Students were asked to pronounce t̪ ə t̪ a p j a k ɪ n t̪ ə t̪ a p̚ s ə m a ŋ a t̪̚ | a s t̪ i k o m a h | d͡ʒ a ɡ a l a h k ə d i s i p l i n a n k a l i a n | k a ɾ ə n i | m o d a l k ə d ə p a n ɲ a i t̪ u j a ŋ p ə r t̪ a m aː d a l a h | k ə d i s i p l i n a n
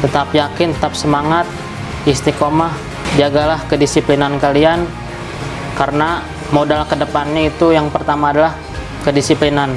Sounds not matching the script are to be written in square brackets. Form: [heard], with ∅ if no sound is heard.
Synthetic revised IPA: t̪ ə t̪ a p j a k ɪ n t̪ ə t̪ a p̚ s ə m a ŋ a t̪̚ | [i] s t̪ i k o m a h | d͡ʒ a ɡ a l a h k ə d i s i p l i n a n k a l i a n | k a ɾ ə n [a] | m o d a l k ə d ə p a n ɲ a i t̪ u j a ŋ p ə r t̪ a m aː d a l a h | k ə d i s i p l i n a n

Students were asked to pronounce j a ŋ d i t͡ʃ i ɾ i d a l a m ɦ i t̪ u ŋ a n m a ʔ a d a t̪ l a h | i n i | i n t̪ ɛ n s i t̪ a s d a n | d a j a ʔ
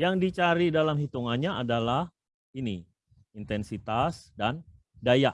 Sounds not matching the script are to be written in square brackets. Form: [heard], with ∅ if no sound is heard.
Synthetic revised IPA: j a ŋ d i t͡ʃ [a] ɾ i d a l a m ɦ i t̪ u ŋ a n [ɲ] a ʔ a d a [∅] l a h | i n i | i n t̪ ɛ n s i t̪ a s d a n | d a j a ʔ

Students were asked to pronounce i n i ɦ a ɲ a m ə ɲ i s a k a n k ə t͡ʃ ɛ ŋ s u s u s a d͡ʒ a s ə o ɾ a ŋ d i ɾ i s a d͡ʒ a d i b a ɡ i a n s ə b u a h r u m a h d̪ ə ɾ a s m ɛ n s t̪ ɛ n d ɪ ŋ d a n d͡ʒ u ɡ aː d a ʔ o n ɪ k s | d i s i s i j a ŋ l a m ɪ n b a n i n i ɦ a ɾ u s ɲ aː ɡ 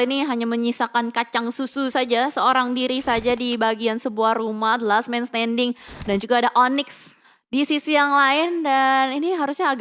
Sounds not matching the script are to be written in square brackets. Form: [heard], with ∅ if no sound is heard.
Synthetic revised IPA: i n i ɦ a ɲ a m ə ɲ i s a k a n k [a] t͡ʃ [a] ŋ s u s u s a d͡ʒ a s ə o ɾ a ŋ d i ɾ i s a d͡ʒ a d i b a ɡ i a n s ə b u a h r u m a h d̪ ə [l] a s m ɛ n s t̪ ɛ n d ɪ ŋ d a n d͡ʒ u ɡ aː d a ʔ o n ɪ k s | d i s i s i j a ŋ l a [∅] ɪ n [d] a n i n i ɦ a ɾ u s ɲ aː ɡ

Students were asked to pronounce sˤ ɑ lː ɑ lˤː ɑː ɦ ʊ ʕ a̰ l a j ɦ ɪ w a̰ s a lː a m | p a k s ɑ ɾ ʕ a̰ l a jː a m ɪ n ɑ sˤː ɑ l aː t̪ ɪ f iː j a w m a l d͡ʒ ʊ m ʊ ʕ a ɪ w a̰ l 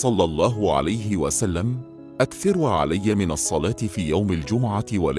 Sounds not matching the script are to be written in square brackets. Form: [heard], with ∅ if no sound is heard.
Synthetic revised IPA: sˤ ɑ lː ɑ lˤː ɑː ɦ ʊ ʕ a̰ l a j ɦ ɪ w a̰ s a lː a m | [ʔ] a k [θ] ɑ ɾ ʕ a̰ l a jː a m ɪ n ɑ sˤː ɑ l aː t̪ ɪ f iː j a w m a l d͡ʒ ʊ m ʊ ʕ a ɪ w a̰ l

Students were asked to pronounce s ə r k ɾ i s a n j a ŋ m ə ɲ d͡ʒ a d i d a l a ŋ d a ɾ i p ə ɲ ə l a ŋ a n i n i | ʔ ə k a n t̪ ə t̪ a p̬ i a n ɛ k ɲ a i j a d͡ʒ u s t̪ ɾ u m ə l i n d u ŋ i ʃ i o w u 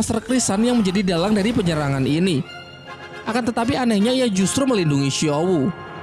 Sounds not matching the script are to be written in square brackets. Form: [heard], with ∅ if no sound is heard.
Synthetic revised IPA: s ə r k ɾ i s a n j a ŋ m ə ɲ d͡ʒ a d i d a l a ŋ d a ɾ i p ə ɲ ə [ɾ] a ŋ a n i n i | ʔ [a] k a n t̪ ə t̪ a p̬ i a n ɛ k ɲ a i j a d͡ʒ u s t̪ ɾ u m ə l i n d u ŋ i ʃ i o w u

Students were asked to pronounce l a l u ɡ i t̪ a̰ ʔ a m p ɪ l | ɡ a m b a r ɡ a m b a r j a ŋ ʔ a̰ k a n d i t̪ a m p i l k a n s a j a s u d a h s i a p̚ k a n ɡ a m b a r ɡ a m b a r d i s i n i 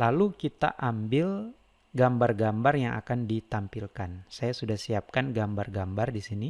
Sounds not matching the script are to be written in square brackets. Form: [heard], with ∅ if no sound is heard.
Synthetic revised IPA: l a l u [k] i t̪ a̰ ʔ a m [b] ɪ l | ɡ a m b a r ɡ a m b a r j a ŋ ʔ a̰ k a n d i t̪ a m p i l k a n s a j a s u d a h s i a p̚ k a n ɡ a m b a r ɡ a m b a r d i s i n i

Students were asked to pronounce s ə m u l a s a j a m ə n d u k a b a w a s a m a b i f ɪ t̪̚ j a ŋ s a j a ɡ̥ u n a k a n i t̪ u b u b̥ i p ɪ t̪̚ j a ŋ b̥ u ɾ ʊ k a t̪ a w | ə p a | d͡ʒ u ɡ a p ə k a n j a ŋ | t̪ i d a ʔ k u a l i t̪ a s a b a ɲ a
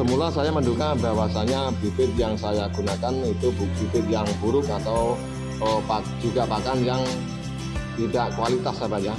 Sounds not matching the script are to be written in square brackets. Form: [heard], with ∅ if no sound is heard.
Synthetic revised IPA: s ə m u l a s a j a m ə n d u k a b a w a s a [ɲ] a b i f ɪ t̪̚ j a ŋ s a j a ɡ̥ u n a k a n i t̪ u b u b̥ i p ɪ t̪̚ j a ŋ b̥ u ɾ ʊ k a t̪ a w | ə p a | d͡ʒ u ɡ a p [a] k a n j a ŋ | t̪ i d a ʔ k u a l i t̪ a s a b a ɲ a

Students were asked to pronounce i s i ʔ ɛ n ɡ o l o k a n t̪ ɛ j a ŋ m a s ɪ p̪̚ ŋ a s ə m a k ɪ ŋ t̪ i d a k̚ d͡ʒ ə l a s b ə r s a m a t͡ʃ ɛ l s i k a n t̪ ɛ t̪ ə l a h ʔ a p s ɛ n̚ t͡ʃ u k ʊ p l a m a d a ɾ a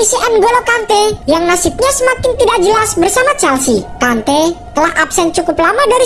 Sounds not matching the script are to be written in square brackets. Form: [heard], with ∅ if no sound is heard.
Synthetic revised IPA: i s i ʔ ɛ n ɡ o l o k a n t̪ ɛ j a ŋ [n] a s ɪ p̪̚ [ɲ] a s ə m a k ɪ [n] t̪ i d a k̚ d͡ʒ ə l a s b ə r s a m a t͡ʃ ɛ l s i k a n t̪ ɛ t̪ ə l a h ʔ a p s ɛ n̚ t͡ʃ u k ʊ p l a m a d a ɾ [i]

